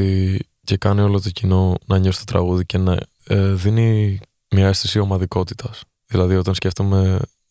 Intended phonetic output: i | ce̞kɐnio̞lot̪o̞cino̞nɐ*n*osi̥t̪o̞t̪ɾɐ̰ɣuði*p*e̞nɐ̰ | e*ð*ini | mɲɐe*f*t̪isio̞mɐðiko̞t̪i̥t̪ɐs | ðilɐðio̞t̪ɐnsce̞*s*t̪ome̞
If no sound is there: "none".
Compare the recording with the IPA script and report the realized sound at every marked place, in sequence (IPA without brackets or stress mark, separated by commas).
ɲ, c, ð, s, f